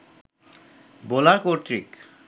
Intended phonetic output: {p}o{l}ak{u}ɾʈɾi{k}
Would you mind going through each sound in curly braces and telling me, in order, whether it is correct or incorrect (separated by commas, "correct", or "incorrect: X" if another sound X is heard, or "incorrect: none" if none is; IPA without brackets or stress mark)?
incorrect: b, correct, incorrect: o, correct